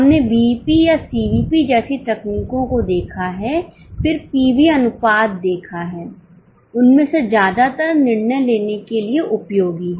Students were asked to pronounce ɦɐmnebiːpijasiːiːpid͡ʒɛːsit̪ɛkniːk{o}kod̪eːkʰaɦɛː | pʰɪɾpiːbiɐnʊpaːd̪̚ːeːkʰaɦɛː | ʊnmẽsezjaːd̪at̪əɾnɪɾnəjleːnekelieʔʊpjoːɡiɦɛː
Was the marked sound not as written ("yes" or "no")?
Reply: yes